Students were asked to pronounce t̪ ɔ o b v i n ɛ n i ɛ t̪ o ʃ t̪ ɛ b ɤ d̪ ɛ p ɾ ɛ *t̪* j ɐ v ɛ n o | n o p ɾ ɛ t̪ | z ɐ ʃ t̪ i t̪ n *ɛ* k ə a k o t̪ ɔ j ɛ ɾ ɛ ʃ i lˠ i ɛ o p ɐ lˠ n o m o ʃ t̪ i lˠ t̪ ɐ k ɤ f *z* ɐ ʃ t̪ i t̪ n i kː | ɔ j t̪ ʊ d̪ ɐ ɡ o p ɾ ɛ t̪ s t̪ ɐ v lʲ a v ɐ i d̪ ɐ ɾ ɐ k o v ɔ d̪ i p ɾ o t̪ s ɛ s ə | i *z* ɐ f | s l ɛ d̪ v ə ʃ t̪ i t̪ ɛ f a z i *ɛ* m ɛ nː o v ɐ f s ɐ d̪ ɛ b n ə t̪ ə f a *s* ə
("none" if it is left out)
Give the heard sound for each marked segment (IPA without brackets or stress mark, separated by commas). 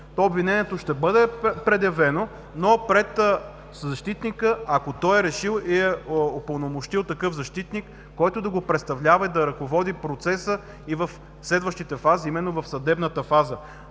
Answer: d̪, i, z, v, i, z